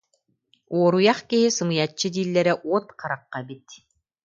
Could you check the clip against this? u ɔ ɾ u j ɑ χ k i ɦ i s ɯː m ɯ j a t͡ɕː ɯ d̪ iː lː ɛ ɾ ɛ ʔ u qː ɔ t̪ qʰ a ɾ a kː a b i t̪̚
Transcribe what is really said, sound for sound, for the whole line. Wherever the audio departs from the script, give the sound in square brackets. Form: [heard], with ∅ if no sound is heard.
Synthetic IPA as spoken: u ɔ ɾ u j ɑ χ k i ɦ i s [ɯ] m ɯ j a t͡ɕː ɯ d̪ iː lː ɛ ɾ ɛ ʔ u [∅] ɔ t̪ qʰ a ɾ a [qː] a b i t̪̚